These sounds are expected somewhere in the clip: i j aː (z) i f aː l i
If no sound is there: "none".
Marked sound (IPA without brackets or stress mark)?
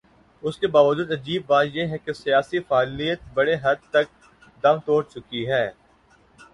s